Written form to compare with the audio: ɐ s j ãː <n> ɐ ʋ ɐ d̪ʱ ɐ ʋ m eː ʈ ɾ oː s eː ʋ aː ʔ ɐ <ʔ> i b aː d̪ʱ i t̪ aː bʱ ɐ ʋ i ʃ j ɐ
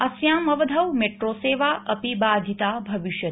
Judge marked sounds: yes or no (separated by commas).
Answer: no, no